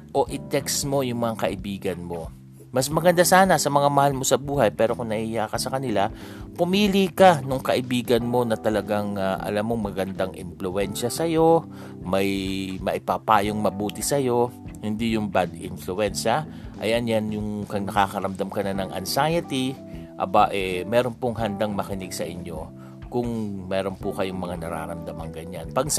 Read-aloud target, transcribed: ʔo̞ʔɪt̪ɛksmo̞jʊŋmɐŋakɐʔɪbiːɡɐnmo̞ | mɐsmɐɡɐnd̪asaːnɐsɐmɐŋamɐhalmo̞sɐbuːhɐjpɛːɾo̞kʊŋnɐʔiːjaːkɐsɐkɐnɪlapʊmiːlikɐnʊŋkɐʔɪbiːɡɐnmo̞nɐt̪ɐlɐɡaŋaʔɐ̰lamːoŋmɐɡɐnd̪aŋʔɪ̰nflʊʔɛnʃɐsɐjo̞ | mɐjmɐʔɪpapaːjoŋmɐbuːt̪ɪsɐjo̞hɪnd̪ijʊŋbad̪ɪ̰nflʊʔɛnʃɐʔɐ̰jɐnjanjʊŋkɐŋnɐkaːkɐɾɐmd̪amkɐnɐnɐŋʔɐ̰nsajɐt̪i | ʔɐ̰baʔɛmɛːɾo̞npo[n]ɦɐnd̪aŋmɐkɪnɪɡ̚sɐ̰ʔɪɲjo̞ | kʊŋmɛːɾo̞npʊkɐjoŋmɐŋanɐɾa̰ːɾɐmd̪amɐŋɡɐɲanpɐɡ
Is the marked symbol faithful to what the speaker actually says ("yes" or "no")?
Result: no